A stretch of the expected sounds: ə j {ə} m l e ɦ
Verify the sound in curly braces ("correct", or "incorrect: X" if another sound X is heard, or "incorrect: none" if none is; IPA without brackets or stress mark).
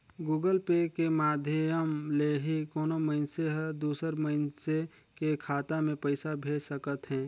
correct